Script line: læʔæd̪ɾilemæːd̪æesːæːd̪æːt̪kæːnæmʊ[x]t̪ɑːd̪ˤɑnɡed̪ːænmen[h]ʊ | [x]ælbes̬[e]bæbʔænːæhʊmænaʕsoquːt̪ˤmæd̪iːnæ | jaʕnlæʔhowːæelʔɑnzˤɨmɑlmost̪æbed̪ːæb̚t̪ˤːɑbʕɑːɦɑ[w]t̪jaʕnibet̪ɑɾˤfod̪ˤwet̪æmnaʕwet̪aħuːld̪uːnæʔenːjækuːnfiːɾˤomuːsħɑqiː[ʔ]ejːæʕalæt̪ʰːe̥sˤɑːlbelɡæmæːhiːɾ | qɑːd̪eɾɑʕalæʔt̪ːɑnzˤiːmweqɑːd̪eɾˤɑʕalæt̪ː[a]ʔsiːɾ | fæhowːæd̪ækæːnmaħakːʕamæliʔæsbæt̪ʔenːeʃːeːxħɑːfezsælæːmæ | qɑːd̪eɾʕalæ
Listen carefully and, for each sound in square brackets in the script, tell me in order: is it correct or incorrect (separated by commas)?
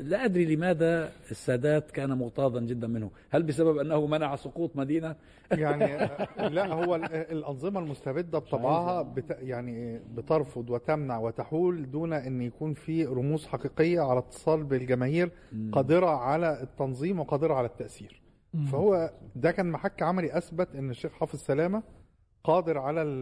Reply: incorrect, correct, incorrect, incorrect, incorrect, incorrect, incorrect